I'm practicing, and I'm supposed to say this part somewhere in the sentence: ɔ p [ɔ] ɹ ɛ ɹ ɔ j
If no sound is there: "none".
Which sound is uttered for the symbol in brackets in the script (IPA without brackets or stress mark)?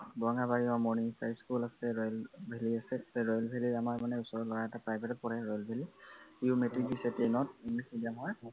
ɔ